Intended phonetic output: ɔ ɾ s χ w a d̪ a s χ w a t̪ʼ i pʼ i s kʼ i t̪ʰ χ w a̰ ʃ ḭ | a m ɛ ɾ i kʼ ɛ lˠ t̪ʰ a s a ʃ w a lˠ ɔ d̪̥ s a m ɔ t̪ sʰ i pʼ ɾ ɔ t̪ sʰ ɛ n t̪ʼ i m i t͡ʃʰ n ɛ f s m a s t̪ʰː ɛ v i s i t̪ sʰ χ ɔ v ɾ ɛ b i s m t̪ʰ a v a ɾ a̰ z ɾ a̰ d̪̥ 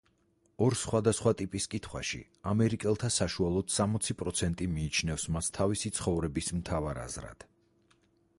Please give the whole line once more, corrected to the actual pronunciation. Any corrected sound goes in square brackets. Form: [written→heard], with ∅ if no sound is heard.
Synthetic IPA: ɔ ɾ s χ w a d̪ a s χ w a t̪ʼ i pʼ i s kʼ i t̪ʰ χ w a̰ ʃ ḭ | a m ɛ ɾ i kʼ ɛ lˠ t̪ʰ a s a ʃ [w→u] a lˠ ɔ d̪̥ s a m ɔ t̪ sʰ i pʼ ɾ ɔ t̪ sʰ ɛ n t̪ʼ i m [i→iː] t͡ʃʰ n ɛ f s m a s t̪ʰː [ɛ→a] v i s i t̪ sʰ χ ɔ v ɾ ɛ b i s m t̪ʰ a v a ɾ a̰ z ɾ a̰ d̪̥